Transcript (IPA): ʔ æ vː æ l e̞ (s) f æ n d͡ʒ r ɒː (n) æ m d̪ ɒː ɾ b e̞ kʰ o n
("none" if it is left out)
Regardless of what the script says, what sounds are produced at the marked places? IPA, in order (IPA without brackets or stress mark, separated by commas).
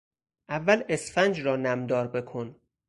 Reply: s, n